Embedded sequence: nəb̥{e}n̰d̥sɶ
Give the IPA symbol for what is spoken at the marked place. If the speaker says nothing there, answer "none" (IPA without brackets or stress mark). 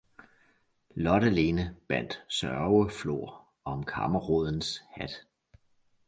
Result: æ